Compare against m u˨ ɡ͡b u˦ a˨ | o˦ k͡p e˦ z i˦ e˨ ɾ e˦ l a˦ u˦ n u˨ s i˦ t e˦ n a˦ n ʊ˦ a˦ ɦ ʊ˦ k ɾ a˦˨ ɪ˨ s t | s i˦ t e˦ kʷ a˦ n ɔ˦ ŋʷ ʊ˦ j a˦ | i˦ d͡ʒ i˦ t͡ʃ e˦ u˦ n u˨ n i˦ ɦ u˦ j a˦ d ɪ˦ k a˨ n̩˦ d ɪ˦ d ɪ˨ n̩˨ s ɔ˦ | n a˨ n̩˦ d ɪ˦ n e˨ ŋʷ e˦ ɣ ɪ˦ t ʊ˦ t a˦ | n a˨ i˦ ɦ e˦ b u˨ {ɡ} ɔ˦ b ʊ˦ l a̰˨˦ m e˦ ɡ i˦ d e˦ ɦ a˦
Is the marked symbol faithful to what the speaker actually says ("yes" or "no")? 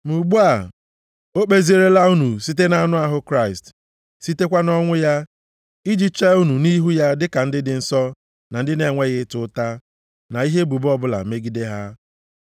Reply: no